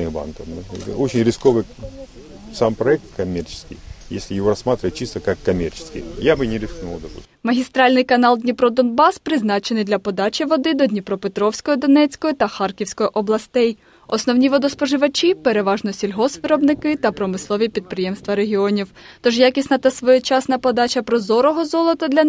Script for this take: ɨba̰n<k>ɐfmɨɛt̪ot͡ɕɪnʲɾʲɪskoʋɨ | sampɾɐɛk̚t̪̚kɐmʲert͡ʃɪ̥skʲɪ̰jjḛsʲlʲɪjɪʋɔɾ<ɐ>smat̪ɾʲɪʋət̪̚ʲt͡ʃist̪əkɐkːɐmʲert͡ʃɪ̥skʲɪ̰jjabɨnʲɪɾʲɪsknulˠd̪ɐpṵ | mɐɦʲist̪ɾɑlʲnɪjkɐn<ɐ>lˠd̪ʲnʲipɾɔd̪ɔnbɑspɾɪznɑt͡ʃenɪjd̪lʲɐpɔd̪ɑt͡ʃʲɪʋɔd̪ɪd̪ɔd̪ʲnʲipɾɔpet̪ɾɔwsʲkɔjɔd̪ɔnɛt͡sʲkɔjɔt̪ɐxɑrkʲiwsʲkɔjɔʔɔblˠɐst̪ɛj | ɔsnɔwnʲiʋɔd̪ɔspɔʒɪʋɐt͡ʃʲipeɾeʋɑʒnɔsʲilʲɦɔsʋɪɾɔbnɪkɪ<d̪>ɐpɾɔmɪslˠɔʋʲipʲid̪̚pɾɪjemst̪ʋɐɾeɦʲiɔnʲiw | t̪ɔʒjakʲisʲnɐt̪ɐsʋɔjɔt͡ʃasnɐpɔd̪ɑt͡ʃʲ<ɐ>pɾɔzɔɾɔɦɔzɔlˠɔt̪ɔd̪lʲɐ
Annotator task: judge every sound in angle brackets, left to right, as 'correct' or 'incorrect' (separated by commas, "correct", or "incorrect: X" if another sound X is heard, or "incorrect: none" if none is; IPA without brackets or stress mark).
correct, correct, incorrect: ɑ, incorrect: t̪, correct